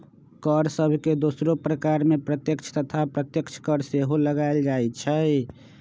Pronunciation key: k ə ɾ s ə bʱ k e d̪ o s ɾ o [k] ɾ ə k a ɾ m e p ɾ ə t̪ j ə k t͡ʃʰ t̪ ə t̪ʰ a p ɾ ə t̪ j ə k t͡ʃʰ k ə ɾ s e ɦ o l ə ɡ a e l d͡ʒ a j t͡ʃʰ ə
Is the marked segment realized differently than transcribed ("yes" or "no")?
yes